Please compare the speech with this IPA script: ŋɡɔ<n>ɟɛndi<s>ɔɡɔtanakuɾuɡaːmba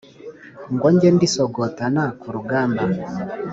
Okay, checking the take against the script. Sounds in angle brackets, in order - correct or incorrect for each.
incorrect: ɲ, correct

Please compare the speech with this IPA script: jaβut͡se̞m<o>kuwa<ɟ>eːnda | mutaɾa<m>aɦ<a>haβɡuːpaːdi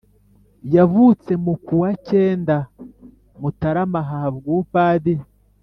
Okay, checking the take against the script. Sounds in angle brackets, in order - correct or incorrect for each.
incorrect: u, incorrect: c, correct, correct

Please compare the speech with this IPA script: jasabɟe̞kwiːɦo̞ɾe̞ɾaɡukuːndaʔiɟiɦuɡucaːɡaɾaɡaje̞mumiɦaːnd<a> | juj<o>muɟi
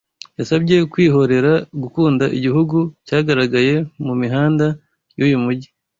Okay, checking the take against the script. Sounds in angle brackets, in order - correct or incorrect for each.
correct, incorrect: u

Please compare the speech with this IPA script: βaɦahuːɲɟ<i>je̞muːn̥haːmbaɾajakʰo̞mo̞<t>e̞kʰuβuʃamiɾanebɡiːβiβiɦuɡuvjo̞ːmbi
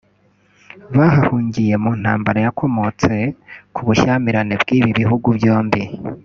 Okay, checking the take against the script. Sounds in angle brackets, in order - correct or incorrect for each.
correct, incorrect: t͡s

